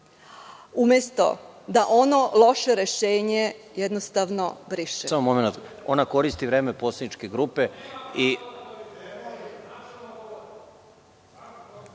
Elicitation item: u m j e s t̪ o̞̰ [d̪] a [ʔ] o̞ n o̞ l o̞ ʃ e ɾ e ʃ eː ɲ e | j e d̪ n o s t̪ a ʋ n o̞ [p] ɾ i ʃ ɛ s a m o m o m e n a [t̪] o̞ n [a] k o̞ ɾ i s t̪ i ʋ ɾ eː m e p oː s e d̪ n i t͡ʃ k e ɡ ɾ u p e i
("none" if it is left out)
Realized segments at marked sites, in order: d̪, ʔ, b, t̪, a

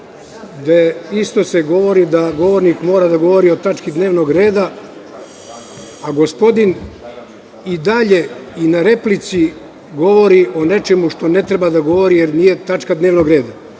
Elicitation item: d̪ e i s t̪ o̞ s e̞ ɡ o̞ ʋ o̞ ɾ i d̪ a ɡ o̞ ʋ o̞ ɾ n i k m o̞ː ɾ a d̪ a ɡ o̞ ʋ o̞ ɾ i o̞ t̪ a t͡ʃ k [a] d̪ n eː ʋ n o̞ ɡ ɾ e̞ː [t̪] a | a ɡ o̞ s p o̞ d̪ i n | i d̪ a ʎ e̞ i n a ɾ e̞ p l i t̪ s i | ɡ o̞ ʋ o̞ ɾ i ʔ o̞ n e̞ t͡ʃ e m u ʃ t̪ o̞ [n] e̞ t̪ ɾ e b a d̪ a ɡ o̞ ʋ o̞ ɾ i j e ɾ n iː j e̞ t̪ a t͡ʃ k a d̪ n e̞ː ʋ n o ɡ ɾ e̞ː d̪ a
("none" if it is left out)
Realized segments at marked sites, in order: i, d̪, n

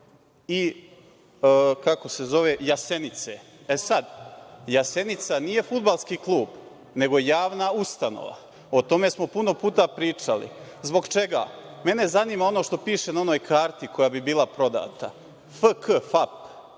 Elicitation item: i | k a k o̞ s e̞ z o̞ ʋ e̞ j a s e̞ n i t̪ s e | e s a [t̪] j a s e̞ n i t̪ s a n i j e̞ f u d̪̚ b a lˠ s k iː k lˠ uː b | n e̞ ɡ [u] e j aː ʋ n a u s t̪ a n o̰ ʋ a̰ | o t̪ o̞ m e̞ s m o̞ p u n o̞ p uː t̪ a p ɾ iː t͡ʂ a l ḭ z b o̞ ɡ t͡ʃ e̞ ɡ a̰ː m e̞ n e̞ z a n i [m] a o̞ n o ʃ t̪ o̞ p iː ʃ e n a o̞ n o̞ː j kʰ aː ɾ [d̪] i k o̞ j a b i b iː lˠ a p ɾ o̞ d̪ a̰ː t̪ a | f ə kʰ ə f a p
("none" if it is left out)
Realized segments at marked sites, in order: d̪, o, m, t̪

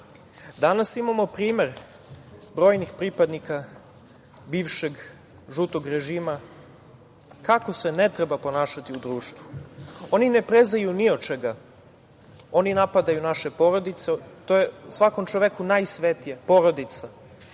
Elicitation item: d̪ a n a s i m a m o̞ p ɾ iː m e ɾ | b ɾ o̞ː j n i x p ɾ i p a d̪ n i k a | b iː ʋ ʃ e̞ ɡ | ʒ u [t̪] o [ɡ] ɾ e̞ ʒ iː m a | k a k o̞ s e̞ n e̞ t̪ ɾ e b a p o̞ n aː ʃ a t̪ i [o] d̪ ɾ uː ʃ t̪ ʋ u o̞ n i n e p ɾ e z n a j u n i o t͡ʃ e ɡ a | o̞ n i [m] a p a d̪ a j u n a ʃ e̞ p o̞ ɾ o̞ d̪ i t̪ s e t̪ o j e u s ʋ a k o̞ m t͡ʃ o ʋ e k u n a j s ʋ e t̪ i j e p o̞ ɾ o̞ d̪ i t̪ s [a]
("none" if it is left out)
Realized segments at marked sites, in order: t̪, ɡ, u, n, a

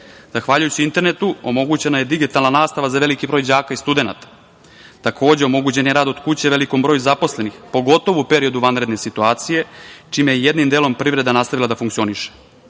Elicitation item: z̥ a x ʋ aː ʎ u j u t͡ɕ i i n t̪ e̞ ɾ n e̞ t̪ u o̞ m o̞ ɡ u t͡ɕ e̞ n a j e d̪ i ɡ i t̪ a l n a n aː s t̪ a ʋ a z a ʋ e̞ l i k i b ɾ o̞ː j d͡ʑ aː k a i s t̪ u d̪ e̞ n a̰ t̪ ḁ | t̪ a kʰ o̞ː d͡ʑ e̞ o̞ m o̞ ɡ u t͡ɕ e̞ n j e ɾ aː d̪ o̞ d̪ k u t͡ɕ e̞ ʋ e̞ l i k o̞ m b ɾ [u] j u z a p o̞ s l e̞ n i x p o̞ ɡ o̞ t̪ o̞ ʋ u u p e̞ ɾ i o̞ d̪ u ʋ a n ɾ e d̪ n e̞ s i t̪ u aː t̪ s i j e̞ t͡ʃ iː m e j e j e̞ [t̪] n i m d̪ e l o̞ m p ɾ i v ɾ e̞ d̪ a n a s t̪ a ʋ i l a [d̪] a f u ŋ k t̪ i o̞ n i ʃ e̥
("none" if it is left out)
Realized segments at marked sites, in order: o, d̪, d̪

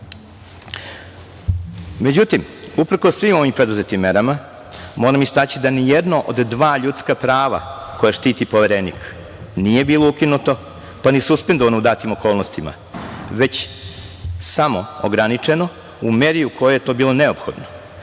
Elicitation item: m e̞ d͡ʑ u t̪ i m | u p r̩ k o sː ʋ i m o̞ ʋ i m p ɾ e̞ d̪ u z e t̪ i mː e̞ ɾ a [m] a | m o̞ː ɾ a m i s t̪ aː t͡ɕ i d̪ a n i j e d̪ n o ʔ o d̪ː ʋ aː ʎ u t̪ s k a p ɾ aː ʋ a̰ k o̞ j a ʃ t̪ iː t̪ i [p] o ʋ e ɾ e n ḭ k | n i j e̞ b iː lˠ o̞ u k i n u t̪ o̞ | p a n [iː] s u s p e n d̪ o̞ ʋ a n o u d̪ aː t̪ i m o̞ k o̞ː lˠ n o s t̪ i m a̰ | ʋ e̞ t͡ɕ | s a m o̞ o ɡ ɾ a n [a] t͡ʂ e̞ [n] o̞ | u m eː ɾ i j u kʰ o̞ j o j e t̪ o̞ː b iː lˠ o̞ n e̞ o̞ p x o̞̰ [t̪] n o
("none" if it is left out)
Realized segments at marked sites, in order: m, p, i, i, n, d̪

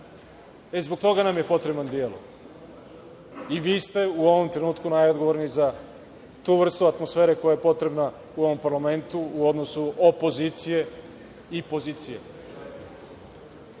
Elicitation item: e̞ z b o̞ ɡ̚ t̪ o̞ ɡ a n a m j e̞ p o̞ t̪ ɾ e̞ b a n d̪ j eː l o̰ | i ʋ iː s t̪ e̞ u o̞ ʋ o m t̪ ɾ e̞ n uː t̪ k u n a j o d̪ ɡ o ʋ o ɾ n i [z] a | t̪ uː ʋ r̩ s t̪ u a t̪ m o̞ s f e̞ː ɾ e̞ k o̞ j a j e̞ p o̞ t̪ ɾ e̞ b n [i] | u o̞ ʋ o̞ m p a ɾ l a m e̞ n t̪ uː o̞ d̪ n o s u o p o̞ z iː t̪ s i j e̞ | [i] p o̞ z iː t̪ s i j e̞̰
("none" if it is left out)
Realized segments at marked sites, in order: z, a, i

